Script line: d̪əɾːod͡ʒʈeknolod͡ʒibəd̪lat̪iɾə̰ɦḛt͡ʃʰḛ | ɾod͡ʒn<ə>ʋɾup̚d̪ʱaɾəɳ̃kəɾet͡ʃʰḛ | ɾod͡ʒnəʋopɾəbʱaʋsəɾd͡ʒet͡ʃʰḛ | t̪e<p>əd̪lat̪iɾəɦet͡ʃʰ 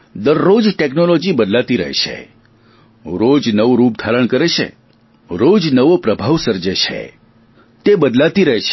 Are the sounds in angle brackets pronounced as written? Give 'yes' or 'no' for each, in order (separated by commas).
yes, no